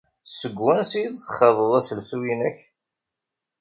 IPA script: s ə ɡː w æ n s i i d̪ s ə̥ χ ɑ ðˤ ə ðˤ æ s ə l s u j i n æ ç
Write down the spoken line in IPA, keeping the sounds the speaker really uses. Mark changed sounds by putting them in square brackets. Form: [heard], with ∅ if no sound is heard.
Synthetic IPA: s ə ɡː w æ n s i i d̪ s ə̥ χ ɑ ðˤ ə ðˤ æ s ə l s u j i n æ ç